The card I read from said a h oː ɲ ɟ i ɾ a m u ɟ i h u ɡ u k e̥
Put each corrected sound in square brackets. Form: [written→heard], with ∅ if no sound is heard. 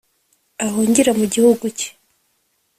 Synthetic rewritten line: a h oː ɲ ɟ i ɾ a m u ɟ i h u ɡ u [k→c] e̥